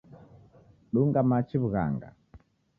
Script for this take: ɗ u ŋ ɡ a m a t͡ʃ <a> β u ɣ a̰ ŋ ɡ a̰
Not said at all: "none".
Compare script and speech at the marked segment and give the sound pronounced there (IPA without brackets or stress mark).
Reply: i